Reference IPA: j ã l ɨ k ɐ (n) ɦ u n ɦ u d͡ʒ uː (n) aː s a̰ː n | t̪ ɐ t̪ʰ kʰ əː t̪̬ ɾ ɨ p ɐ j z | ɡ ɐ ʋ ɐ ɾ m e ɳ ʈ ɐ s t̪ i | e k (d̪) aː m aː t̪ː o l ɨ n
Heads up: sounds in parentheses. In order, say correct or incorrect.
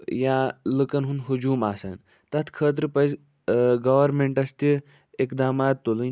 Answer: correct, incorrect, correct

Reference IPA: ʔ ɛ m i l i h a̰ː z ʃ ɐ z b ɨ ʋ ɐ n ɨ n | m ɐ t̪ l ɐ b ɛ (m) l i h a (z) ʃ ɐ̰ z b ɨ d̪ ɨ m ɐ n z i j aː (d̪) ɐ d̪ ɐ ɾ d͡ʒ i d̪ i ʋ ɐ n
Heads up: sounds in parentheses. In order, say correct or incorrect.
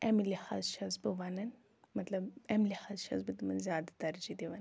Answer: correct, correct, correct

